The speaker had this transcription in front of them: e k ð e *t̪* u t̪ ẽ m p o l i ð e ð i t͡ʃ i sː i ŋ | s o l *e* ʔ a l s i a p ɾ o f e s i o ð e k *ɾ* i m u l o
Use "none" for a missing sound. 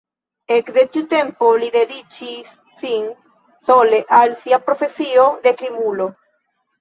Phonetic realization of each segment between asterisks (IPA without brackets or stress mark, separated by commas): t̪, e, ɾ